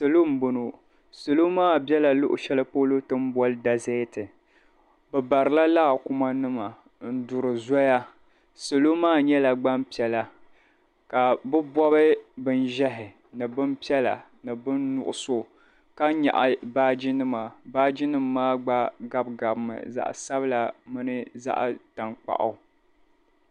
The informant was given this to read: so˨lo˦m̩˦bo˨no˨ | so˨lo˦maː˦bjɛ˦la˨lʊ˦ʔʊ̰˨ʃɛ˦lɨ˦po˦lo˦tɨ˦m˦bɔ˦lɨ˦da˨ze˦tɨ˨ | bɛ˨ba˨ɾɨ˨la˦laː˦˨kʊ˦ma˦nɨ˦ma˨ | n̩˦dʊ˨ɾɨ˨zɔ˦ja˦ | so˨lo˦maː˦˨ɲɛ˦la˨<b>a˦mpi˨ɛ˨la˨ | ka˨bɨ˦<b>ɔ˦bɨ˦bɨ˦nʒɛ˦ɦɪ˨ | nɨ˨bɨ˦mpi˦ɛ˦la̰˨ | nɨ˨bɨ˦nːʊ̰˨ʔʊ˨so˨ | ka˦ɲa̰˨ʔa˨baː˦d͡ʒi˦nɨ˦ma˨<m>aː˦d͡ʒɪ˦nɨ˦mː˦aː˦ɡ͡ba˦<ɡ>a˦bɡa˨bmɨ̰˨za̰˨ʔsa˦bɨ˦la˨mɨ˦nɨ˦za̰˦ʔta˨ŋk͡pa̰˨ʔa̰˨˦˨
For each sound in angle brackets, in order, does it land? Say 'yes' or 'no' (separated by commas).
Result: no, yes, no, yes